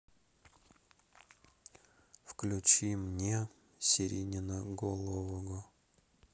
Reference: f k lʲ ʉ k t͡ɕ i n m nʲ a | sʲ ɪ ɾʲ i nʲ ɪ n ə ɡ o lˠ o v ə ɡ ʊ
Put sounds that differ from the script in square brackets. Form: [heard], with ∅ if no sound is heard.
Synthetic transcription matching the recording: f k lʲ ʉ [∅] t͡ɕ i [∅] m nʲ [e] | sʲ ɪ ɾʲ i nʲ ɪ n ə ɡ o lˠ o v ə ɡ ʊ